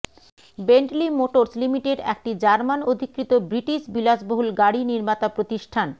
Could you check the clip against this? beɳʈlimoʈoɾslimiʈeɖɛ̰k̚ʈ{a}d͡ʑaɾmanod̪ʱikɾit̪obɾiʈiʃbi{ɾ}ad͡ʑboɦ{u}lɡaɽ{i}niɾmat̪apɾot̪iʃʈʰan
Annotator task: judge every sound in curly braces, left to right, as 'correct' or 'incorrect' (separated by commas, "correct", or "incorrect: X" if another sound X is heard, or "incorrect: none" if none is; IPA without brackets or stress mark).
incorrect: i, incorrect: l, correct, correct